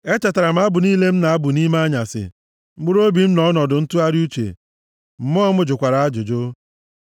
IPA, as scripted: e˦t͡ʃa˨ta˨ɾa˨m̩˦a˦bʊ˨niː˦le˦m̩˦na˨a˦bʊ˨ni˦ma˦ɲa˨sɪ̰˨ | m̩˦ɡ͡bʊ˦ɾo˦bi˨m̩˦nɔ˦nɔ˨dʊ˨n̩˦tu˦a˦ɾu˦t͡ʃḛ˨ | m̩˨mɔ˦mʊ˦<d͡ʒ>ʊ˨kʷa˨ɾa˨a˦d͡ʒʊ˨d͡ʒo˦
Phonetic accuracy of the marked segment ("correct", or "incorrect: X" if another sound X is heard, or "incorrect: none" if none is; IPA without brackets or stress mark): correct